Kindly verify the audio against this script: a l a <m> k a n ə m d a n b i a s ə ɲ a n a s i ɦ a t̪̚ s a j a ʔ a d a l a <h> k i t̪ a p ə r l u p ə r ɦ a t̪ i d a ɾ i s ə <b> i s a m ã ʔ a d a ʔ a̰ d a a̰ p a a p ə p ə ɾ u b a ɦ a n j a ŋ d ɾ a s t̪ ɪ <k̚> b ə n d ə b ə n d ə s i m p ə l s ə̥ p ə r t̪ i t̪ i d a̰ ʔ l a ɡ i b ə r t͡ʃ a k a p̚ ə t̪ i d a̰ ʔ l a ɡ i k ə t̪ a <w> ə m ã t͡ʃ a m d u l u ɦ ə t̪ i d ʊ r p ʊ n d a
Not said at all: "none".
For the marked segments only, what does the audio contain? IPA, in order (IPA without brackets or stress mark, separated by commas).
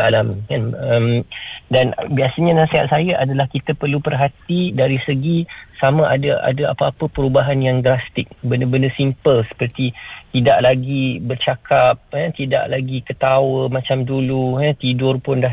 m, h, ɡ, k̚, w